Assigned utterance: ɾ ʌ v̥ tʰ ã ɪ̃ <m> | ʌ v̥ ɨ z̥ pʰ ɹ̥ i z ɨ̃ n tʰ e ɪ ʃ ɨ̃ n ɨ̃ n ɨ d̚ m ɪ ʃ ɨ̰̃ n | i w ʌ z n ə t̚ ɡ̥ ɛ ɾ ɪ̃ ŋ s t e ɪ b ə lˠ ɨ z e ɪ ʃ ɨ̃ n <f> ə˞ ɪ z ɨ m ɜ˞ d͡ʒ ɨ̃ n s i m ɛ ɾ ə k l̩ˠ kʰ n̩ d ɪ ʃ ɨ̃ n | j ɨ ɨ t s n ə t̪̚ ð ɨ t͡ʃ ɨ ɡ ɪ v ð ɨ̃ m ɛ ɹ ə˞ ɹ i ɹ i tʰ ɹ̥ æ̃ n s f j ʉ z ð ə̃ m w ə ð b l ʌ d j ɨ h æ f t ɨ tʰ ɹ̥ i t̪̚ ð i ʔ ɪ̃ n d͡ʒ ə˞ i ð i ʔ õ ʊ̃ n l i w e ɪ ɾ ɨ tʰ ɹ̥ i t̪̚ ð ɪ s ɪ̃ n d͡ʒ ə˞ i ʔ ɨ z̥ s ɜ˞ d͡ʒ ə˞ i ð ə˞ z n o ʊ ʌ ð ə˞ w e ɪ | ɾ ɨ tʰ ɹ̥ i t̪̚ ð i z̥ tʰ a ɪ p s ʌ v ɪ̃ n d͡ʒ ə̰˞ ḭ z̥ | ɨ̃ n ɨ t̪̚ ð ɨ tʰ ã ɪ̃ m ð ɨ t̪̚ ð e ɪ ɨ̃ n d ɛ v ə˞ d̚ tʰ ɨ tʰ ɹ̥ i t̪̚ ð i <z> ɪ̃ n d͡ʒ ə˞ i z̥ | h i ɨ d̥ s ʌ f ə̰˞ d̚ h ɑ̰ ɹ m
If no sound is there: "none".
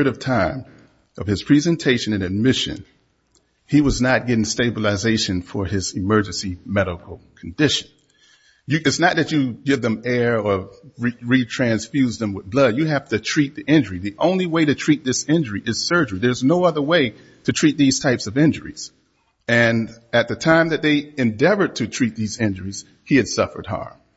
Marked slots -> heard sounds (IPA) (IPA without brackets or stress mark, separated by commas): m, f, z